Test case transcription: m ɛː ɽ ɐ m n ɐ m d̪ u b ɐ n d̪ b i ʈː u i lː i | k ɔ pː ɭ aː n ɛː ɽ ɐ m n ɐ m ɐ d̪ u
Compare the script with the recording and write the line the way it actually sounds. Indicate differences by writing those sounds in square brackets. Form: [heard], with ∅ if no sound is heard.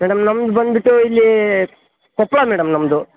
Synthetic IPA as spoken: m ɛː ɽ ɐ m n ɐ m d̪ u b ɐ n d̪ b i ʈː u i lː i | k ɔ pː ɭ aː [m] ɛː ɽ ɐ m n ɐ m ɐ d̪ u